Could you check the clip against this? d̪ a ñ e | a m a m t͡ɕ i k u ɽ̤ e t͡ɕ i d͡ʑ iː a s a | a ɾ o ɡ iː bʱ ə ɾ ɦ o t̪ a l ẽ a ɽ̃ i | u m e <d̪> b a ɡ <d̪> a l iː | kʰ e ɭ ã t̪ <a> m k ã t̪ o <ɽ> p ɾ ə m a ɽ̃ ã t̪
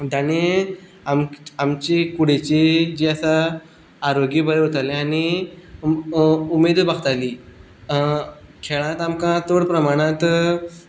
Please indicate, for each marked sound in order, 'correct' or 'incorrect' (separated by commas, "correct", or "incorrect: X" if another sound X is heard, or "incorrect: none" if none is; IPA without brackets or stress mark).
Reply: correct, incorrect: t̪, correct, correct